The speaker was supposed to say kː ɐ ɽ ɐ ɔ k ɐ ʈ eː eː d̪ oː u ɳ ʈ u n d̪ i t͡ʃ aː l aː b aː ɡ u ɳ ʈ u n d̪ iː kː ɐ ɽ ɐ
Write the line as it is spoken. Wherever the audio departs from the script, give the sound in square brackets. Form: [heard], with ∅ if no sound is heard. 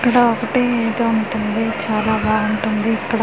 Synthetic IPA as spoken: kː ɐ ɽ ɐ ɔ k ɐ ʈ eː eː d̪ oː u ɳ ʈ u n d̪ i t͡ʃ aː l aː b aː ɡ u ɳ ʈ u n d̪ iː kː ɐ ɽ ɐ